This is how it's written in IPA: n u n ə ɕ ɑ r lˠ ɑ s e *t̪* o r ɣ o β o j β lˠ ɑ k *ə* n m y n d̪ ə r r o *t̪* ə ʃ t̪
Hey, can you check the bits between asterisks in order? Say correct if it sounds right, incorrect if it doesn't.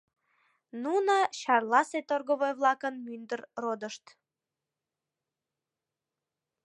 correct, correct, incorrect: d̪

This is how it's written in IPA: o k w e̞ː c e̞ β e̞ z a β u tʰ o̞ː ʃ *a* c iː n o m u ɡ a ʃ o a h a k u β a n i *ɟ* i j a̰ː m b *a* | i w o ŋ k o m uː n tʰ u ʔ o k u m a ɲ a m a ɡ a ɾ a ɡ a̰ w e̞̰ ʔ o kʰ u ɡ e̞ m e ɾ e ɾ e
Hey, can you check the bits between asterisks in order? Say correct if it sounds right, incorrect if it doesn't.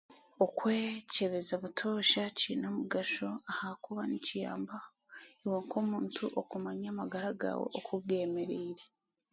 correct, incorrect: c, correct

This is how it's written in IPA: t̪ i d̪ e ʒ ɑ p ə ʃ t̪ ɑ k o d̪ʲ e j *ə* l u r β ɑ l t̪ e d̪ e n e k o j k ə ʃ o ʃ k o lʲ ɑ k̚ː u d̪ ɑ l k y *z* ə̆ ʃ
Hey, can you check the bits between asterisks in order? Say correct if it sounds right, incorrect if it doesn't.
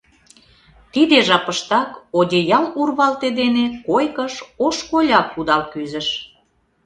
incorrect: ɑ, correct

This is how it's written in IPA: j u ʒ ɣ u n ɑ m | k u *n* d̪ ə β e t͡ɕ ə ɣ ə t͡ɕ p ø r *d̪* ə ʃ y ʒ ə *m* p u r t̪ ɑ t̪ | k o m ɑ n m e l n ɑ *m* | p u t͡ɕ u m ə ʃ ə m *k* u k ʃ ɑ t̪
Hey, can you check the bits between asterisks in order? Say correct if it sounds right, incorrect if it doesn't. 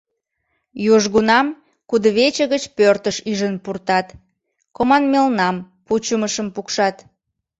incorrect: none, incorrect: t̪, incorrect: n, correct, incorrect: p

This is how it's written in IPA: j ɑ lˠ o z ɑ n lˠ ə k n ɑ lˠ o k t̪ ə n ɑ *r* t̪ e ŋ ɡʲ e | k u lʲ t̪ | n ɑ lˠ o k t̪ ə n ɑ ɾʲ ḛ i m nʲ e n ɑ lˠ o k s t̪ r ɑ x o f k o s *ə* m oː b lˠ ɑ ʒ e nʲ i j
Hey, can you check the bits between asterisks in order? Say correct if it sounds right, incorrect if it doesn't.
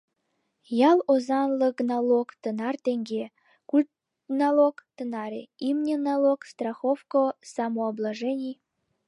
correct, incorrect: ɑ

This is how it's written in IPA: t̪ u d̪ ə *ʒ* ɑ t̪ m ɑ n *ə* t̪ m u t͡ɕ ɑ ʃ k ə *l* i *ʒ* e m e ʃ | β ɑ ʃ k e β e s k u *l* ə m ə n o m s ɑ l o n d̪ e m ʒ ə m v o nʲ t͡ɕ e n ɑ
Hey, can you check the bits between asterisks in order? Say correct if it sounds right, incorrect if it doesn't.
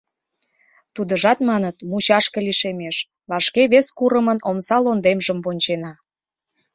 correct, correct, correct, incorrect: ʃ, incorrect: ɾ

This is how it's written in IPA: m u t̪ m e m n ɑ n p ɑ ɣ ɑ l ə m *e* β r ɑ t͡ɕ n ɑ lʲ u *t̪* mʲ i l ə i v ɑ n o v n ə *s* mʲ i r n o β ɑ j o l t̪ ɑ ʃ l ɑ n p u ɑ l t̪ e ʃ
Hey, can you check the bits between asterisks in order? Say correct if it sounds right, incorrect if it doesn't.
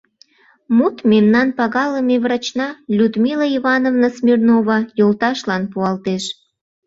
correct, incorrect: d̪, correct

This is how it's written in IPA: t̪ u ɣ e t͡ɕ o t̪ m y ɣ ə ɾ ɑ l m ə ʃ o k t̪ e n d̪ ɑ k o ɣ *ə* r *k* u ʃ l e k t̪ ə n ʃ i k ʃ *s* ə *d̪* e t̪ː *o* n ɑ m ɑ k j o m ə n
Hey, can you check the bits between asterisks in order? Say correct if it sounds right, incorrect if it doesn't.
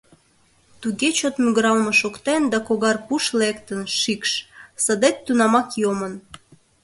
incorrect: ɑ, incorrect: p, correct, correct, incorrect: u

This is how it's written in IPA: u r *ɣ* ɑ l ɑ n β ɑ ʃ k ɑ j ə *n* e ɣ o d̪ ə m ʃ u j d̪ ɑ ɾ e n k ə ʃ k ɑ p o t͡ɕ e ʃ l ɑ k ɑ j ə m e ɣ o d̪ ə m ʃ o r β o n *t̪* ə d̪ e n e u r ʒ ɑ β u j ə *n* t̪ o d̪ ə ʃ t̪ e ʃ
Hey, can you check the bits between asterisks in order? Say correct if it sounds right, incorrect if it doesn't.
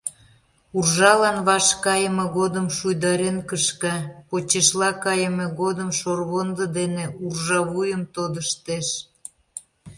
incorrect: ʒ, incorrect: m, incorrect: d̪, incorrect: m

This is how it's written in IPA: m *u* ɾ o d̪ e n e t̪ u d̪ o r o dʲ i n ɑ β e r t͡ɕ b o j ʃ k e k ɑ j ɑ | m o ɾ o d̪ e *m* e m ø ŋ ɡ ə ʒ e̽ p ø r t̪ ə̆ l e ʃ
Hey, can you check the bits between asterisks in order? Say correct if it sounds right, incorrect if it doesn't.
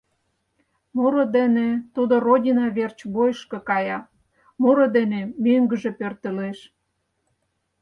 incorrect: o, incorrect: n

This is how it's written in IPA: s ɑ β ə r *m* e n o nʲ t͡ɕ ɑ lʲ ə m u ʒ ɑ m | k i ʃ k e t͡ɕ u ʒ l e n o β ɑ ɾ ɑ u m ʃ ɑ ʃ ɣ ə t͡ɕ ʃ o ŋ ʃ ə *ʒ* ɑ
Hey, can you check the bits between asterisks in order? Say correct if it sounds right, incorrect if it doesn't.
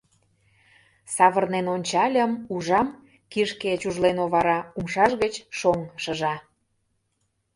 incorrect: n, correct

